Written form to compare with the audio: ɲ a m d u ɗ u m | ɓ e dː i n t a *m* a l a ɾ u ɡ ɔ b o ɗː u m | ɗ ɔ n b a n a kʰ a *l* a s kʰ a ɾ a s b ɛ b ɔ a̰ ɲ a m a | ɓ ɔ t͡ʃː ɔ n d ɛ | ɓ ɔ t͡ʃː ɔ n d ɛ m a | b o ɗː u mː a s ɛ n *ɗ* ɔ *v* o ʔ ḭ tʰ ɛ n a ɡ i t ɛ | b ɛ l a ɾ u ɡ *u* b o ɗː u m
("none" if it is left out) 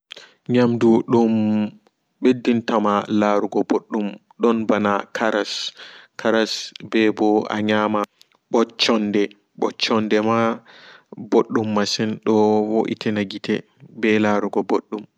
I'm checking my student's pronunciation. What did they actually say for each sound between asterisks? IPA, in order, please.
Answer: m, ɾ, ɗ, w, ɔ

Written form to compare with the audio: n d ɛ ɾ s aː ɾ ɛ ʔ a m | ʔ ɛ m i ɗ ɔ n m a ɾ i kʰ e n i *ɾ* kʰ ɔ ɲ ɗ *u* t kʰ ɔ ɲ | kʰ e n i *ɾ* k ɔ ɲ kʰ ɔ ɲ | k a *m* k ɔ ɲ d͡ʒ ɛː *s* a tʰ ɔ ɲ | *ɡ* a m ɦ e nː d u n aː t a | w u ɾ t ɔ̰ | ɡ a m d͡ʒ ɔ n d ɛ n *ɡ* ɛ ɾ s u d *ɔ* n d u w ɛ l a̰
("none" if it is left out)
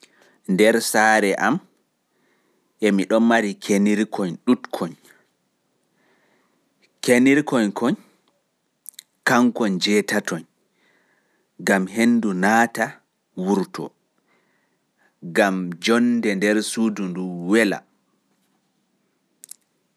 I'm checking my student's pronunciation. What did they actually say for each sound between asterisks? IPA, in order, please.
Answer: ɾ, u, ɾ, ŋ, t, ɡ, d, u

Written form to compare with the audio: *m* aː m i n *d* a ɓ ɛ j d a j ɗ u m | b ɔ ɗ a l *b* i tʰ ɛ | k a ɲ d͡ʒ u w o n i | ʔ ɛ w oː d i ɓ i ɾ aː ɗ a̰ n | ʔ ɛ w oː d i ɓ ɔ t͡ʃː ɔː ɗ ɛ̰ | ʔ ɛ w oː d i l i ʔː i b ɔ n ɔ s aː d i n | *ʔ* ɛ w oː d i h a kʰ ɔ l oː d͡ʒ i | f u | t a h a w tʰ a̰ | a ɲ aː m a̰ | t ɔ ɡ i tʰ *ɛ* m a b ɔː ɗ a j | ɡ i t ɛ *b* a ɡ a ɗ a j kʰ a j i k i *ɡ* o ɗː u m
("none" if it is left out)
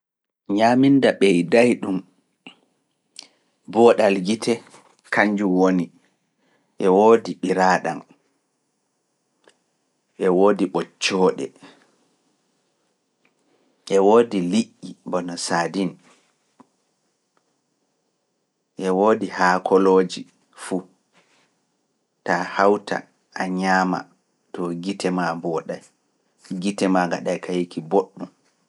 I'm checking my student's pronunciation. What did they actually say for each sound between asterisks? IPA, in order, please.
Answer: ɲ, d, ɡ, ʔ, ɛ, m, b

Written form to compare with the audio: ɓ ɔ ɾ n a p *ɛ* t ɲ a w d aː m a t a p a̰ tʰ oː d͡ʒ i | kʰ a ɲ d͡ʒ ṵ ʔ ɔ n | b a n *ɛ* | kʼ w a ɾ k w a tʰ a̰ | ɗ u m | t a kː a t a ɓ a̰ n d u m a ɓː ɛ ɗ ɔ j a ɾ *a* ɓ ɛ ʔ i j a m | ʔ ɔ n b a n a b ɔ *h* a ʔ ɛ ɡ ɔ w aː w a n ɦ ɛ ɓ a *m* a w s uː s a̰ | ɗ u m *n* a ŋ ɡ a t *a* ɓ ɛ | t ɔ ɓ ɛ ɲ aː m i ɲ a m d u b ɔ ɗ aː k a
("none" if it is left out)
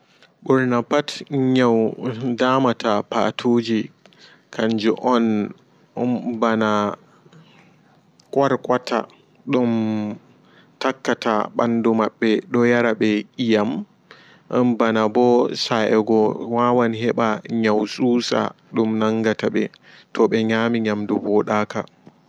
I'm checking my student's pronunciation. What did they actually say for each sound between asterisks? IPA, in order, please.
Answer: a, a, a, s, ɲ, n, a

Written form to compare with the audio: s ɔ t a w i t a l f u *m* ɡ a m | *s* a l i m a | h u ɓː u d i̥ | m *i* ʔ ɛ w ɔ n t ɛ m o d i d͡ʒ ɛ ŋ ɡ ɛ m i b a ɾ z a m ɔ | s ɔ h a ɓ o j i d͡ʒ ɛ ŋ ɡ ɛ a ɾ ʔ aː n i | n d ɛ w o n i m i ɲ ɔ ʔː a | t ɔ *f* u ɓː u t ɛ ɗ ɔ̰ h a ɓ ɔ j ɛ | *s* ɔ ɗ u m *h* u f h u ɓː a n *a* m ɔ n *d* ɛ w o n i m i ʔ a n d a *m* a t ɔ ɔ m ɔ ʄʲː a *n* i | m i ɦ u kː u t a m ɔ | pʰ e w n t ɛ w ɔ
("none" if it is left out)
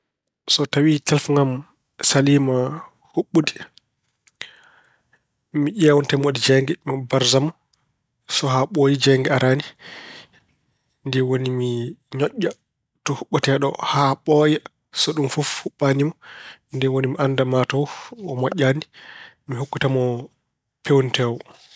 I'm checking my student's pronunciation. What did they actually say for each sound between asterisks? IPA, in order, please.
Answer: ŋ, s, i, h, s, f, i, d, m, n

